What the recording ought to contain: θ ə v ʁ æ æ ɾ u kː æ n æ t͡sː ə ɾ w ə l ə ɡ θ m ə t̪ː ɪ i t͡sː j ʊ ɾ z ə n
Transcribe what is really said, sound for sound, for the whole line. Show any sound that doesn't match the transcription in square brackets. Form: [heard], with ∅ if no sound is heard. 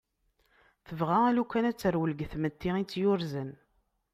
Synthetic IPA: θ ə v ʁ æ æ [l] u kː æ n æ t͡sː ə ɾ w ə l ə ɡ θ m ə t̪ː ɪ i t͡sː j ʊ ɾ z ə n